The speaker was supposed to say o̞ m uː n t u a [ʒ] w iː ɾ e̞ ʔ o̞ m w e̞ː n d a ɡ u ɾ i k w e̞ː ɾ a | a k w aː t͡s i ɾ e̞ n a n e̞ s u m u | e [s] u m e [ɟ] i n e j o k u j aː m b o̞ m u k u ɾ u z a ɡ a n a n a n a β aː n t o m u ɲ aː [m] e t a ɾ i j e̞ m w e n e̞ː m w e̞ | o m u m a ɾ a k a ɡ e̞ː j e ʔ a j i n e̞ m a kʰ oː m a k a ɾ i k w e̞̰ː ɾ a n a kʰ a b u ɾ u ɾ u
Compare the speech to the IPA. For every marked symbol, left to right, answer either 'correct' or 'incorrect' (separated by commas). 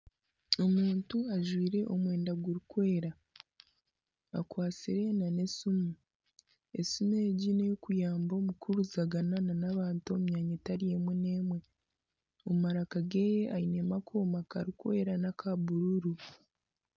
correct, correct, correct, incorrect